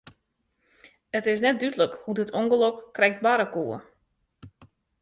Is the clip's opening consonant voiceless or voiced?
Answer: voiceless